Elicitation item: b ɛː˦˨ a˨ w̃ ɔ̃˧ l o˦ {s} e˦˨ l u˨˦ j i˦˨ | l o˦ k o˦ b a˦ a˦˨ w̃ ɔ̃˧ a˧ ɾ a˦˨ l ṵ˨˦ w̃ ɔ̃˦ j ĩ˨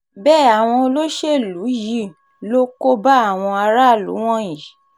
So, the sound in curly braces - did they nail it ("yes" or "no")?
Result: no